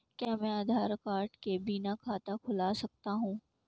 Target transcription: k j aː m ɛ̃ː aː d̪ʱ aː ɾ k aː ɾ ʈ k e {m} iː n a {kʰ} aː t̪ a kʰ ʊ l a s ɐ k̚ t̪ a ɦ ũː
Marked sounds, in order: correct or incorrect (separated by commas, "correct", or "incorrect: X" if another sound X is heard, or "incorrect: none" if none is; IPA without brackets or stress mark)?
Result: incorrect: b, correct